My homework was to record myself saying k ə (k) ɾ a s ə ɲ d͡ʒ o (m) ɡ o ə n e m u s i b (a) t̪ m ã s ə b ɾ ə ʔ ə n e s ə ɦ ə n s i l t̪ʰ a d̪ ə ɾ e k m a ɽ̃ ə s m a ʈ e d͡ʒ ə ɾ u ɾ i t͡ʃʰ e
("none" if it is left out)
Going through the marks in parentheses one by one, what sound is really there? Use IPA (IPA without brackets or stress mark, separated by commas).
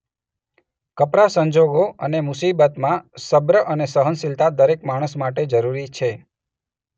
p, none, ə